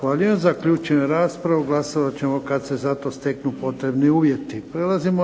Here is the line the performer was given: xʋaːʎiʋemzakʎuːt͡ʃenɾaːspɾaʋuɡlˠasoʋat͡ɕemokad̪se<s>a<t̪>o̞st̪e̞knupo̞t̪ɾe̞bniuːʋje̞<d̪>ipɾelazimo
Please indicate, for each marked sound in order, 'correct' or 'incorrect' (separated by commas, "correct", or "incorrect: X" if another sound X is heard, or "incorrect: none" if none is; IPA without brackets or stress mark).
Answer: incorrect: z, correct, incorrect: t̪